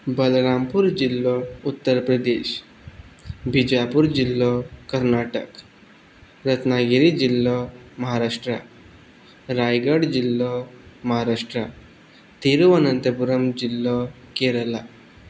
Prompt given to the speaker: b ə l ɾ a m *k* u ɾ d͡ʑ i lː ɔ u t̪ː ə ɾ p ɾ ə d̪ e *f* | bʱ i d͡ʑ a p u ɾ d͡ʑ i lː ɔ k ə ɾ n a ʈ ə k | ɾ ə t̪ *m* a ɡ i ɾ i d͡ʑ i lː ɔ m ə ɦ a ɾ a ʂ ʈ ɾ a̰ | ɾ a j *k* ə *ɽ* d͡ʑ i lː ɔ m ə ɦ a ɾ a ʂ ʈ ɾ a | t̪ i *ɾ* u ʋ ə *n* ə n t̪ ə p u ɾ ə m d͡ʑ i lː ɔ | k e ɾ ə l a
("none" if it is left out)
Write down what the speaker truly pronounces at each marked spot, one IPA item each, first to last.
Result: p, ɕ, n, ɡ, ɽ, ɾ, n

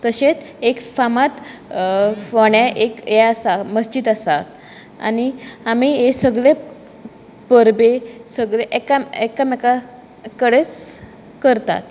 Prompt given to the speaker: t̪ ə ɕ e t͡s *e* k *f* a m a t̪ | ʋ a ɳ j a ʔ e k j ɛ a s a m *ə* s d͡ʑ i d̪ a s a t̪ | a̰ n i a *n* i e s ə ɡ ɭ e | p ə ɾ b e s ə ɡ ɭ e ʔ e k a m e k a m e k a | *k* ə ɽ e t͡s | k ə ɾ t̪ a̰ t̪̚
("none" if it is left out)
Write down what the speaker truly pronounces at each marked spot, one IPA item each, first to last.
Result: e, f, ə, m, k

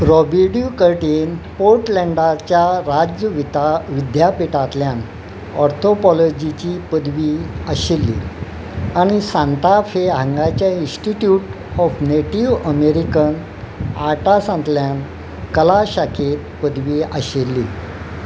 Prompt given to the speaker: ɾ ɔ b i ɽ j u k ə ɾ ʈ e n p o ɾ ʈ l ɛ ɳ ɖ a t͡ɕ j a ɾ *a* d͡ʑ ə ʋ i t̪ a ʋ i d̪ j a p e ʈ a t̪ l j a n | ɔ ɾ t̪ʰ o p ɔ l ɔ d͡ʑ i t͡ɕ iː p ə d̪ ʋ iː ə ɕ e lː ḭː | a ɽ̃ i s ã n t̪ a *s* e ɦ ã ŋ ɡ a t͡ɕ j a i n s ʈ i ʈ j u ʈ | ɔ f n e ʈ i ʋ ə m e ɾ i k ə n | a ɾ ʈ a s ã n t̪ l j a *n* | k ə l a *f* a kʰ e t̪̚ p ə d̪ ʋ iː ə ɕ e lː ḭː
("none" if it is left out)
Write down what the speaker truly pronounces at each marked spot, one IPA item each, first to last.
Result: a, f, n, ɕ

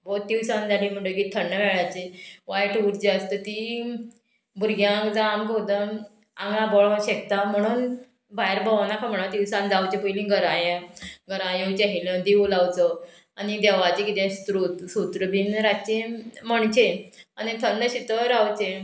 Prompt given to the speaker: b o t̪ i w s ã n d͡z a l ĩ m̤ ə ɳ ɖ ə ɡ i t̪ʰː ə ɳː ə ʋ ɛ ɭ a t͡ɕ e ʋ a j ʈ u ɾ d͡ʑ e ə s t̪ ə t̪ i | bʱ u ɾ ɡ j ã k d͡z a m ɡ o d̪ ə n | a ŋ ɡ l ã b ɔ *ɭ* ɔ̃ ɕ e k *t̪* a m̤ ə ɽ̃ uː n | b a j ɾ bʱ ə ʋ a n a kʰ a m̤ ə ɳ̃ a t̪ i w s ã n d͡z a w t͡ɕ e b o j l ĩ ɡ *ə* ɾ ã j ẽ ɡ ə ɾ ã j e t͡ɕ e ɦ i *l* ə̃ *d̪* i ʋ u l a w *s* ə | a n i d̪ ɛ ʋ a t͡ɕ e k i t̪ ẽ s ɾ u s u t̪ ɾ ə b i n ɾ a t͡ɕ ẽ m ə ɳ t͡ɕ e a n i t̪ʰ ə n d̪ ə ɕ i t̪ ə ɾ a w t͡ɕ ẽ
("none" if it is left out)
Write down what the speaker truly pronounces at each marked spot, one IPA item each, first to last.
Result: ɭ, t̪, ə, l, d̪, t͡s

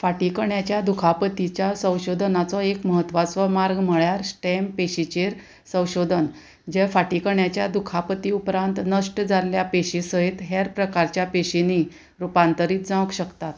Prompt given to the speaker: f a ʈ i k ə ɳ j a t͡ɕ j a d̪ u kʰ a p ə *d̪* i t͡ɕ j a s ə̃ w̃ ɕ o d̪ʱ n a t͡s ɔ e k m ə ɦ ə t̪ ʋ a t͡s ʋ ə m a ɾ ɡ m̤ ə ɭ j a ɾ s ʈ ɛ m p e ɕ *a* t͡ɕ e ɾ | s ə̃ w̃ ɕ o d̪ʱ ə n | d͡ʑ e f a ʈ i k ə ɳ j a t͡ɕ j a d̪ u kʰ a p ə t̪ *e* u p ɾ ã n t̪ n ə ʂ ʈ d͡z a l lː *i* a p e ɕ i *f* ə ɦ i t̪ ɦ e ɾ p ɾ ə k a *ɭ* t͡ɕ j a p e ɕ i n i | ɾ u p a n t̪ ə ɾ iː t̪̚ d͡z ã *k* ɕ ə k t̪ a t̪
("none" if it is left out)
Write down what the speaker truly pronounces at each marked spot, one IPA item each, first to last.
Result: t̪, i, i, j, s, ɾ, k

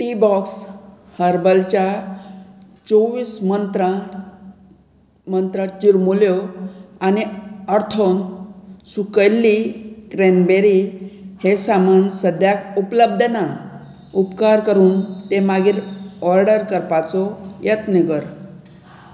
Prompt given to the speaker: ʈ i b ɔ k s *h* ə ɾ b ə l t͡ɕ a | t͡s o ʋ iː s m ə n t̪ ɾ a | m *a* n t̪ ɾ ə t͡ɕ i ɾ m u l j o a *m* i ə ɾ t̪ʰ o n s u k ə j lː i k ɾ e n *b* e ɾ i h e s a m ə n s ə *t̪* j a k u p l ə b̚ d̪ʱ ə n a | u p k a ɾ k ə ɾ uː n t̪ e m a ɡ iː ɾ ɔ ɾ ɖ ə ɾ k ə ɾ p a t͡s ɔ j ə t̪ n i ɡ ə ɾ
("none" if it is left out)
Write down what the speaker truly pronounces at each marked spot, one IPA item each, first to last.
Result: h, ə, n, b, d̪

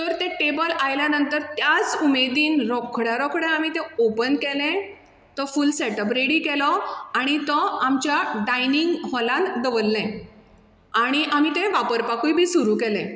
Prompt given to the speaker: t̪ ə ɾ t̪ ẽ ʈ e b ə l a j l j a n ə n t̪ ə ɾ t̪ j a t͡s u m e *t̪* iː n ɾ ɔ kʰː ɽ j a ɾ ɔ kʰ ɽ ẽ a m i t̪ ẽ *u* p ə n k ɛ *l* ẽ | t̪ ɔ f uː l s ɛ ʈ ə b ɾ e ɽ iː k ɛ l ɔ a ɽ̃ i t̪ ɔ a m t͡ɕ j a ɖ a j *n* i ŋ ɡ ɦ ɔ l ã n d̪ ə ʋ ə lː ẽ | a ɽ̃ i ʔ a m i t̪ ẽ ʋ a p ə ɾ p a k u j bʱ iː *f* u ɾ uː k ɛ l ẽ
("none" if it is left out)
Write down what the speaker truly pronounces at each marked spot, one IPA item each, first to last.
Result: d̪, o, l, n, s

